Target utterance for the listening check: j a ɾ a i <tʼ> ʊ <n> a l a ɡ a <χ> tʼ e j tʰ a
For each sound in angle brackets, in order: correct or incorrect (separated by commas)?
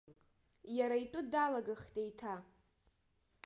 correct, incorrect, correct